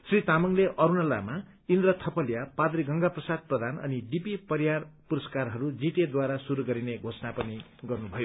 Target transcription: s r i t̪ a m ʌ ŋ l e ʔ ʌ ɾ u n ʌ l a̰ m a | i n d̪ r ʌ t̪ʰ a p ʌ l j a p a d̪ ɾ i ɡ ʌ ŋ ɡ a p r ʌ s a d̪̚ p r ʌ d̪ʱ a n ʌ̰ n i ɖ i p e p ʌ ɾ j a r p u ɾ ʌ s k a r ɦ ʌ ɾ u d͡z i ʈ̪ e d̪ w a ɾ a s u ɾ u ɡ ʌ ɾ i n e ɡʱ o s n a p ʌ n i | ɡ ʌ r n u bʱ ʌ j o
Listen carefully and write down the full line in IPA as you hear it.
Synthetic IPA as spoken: s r i t̪ a m ʌ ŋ l e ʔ ʌ ɾ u n ʌ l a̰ m a | i n d̪ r ʌ t̪ʰ ʌ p ʌ l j a p a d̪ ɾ i ɡ ʌ ŋ ɡ a p r ʌ s a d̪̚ p r ʌ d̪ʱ a n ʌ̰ n i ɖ i p i p ʌ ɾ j a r p u ɾ ʌ s k a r ɦ ʌ ɾ u d͡z i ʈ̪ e d̪ w a ɾ a s u ɾ u ɡ ʌ ɾ i n e ɡʱ o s n a p ʌ n i | ɡ ʌ r n u bʱ ʌ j o